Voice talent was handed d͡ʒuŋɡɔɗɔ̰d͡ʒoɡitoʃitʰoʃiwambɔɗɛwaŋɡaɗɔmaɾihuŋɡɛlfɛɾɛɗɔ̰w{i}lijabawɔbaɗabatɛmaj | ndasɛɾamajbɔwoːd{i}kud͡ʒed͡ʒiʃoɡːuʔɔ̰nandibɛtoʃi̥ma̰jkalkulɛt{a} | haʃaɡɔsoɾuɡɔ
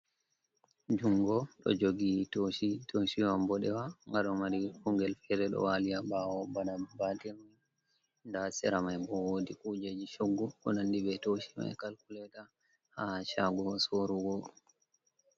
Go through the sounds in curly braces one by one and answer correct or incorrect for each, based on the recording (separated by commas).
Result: incorrect, correct, correct